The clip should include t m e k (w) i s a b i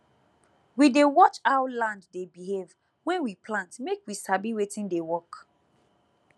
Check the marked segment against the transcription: correct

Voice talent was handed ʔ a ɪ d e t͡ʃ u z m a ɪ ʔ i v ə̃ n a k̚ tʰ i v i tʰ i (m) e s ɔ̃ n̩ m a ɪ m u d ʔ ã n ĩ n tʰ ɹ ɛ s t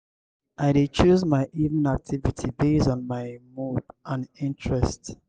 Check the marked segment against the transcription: incorrect: b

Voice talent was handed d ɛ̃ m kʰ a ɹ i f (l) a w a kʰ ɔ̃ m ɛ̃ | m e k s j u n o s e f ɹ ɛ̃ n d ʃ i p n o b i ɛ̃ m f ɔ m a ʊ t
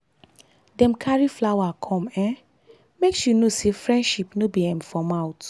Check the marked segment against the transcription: correct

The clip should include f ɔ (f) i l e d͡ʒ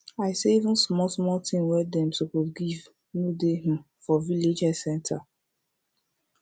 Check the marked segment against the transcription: incorrect: v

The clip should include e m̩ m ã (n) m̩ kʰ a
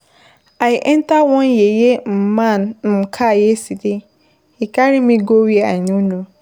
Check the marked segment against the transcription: correct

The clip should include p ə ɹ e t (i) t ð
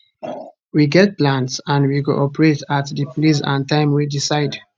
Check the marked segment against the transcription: incorrect: a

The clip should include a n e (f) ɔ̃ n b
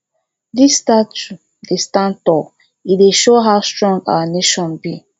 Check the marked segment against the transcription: incorrect: ʃ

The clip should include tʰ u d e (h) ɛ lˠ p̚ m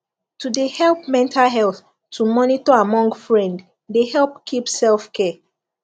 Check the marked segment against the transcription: correct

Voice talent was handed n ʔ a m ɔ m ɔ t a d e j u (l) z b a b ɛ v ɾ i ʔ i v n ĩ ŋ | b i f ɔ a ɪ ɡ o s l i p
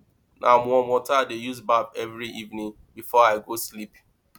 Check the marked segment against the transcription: incorrect: none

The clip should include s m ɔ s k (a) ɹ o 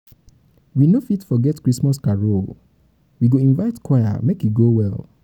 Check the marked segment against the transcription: correct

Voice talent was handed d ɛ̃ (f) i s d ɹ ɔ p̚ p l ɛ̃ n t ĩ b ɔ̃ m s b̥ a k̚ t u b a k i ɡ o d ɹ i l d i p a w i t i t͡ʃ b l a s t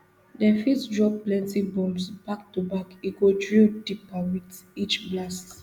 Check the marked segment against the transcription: correct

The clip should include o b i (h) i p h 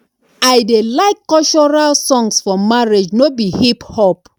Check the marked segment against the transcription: correct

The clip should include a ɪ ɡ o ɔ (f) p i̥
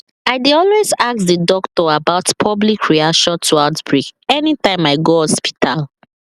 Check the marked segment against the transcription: incorrect: s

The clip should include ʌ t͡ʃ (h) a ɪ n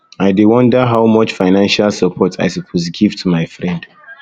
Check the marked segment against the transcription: incorrect: f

